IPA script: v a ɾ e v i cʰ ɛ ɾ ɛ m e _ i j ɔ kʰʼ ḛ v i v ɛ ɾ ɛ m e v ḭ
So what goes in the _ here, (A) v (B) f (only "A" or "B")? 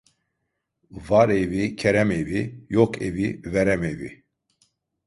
A